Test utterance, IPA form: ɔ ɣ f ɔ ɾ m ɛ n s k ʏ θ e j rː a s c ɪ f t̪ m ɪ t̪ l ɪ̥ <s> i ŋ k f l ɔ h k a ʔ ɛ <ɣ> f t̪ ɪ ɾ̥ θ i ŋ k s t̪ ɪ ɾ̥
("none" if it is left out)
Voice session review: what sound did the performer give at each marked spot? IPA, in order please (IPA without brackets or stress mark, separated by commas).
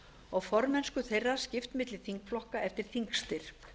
θ, none